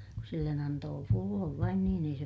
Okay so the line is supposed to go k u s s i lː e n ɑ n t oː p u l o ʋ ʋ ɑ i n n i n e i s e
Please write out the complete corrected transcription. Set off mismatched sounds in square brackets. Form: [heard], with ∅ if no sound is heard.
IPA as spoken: k u s s i lː e n ɑ n t oː p u [lː] o ʋ ʋ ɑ i n n [iː] n e i s e

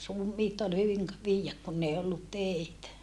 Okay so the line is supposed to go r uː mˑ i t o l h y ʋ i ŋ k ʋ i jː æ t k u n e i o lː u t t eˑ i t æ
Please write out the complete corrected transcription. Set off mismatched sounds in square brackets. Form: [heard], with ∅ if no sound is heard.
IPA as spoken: r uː mˑ [iː] t o l h y ʋ i ŋ k ʋ [iː] jː æ [k] k u [nː] e i o lː u t t eˑ i t æ

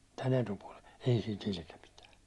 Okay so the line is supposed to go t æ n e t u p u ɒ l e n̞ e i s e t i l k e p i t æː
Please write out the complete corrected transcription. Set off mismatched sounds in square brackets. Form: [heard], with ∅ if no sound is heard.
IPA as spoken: t æ n e t u p u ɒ l e n̞ e i s [i] t i l k e p i t æː

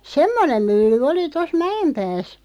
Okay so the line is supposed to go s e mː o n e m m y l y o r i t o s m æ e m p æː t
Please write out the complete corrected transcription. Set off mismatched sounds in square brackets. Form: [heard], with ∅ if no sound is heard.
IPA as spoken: s e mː o n e m m y [lː] y o [l] i t o s m æ e m p æː [s]

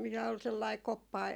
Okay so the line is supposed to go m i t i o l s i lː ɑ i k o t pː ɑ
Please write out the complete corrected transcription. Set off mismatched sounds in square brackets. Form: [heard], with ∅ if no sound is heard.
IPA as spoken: m i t [æ] o l s [e] lː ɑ i k o [∅] pː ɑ

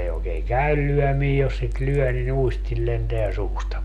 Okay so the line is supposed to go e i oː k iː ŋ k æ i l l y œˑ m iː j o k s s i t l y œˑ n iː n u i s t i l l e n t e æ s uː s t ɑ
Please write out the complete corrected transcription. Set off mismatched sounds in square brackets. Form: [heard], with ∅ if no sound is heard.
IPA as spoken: e i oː k [eː] ŋ k æ [y] l l y œˑ m iː j o [∅] s s i t l y œˑ n [i] n u i s t i l l e n t e æ s uː s t ɑ

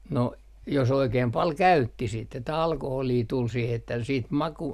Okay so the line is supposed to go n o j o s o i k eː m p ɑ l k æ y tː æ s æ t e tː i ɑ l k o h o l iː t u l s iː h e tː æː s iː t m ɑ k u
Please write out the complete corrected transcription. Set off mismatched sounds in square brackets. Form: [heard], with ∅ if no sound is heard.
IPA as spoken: n o j o s o i k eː m p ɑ l k æ y tː [i] s [i] t e tː [æ] ɑ l k o h o l iː t u l s iː h e tː [æ] s iː t m ɑ k u

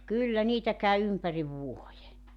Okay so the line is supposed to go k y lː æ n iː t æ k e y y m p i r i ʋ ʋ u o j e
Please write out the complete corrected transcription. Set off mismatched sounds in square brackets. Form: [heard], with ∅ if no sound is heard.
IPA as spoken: k y lː æ n iː t æ k [æ] y y m p [æ] r i ʋ ʋ u o j e

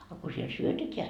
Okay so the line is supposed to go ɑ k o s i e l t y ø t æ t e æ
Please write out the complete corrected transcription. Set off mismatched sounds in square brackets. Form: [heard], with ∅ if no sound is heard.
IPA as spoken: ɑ k o s i e l [s] y ø t [e] t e æ

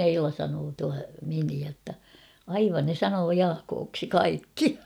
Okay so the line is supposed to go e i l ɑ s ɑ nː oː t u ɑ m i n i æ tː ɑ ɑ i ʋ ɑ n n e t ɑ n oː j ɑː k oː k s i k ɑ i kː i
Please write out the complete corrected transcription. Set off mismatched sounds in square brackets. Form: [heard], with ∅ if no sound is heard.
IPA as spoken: e i l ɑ s ɑ [n] oː t u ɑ m i n i æ tː ɑ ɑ i ʋ ɑ n n e [s] ɑ n oː j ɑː k oː k s i k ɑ i kː i

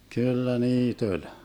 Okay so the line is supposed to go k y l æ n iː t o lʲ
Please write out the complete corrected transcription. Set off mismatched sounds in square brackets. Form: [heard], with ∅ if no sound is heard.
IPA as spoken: k y [lː] æ n iː t o lʲ

